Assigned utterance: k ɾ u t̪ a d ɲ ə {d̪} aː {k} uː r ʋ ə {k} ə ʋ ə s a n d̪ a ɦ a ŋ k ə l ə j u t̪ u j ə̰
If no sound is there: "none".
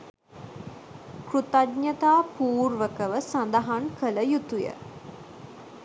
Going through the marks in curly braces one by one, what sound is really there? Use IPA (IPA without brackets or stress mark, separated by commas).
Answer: t̪, p, k